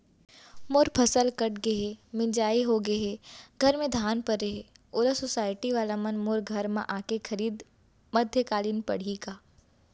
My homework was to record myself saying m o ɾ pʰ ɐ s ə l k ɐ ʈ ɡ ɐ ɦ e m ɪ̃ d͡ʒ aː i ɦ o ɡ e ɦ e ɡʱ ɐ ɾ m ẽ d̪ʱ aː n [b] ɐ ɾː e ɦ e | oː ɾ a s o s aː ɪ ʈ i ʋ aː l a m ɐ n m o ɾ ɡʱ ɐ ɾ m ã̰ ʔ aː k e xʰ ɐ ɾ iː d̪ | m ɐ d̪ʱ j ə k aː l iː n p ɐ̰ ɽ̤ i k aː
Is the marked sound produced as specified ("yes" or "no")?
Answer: no